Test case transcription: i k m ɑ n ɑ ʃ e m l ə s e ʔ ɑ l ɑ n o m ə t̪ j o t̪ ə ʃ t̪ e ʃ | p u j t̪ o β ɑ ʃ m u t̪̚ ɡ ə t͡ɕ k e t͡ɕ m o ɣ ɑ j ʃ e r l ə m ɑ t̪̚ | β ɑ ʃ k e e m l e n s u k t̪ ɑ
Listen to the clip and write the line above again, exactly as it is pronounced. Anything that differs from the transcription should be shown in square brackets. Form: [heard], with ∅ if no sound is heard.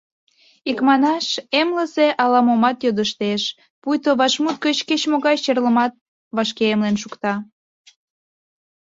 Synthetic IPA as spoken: i k m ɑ n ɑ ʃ e m l ə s e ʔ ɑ l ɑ [m] o m [ɑ] t̪ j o [d̪] ə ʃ t̪ e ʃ | p u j t̪ o β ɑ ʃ m u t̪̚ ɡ ə t͡ɕ k e t͡ɕ m o ɣ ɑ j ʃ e r l ə m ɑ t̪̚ | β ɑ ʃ k e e m l e n [ʃ] u k t̪ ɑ